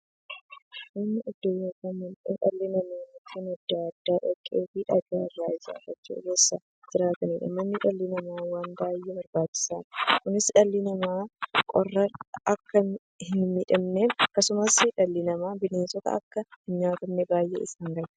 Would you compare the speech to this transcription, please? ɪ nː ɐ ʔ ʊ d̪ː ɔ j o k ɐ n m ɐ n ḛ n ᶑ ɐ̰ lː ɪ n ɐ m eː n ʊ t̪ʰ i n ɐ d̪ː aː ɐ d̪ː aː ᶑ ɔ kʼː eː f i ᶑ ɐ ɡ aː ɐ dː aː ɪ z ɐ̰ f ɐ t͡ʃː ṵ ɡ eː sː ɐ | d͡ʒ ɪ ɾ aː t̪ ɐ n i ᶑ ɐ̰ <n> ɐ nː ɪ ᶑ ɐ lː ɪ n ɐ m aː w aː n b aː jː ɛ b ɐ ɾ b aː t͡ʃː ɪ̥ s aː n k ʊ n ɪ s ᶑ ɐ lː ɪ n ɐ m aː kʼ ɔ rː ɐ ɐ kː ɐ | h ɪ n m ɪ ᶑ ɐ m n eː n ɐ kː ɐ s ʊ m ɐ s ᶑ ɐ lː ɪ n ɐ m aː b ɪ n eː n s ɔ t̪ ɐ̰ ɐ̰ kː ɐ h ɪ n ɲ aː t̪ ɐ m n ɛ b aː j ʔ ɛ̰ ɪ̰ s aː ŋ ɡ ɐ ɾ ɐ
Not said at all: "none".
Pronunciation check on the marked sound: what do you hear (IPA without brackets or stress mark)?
m